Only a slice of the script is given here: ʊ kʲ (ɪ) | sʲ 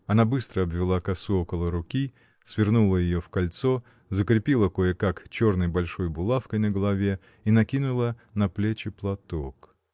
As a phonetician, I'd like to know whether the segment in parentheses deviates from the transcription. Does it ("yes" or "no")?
yes